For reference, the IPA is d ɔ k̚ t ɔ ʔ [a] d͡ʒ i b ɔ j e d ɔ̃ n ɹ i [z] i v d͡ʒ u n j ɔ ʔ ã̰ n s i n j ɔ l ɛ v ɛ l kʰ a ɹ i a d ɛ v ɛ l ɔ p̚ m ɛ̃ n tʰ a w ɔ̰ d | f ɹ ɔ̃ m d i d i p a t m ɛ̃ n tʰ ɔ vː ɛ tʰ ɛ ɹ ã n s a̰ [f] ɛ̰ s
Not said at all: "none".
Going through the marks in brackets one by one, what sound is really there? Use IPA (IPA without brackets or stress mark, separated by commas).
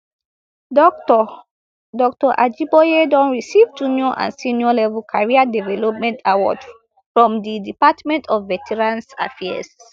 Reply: a, s, f